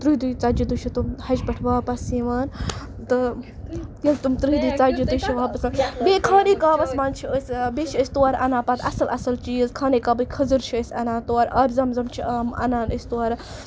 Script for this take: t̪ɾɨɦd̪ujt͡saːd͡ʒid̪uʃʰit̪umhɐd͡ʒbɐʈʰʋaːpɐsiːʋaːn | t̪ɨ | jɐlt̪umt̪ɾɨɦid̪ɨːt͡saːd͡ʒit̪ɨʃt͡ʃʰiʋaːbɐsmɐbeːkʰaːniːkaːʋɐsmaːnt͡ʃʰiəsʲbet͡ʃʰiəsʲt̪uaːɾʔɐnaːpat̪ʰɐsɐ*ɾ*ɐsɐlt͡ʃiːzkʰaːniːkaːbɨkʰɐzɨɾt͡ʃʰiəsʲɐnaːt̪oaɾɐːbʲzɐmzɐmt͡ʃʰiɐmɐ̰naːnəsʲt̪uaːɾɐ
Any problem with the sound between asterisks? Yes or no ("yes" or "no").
yes